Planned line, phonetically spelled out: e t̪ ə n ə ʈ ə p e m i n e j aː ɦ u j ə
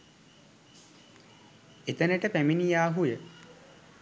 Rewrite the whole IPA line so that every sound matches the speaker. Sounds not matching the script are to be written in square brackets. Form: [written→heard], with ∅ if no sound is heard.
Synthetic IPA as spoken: e t̪ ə n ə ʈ ə p [e→æ] m i n [e→i] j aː ɦ u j ə